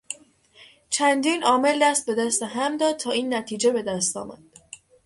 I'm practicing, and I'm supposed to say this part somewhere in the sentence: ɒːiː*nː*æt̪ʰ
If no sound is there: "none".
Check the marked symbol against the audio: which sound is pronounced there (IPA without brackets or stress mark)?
nː